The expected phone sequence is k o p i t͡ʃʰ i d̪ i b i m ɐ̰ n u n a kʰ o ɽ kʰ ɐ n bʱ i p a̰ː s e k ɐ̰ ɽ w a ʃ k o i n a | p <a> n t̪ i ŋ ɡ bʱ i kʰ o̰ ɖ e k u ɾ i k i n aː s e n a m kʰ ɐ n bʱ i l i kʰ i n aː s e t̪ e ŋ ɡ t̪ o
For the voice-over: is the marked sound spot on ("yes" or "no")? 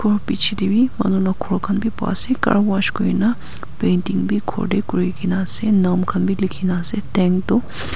no